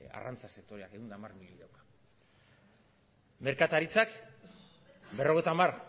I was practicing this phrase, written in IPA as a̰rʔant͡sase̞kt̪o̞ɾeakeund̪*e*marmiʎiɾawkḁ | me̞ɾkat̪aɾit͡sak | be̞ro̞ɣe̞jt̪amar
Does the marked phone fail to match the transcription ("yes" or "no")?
yes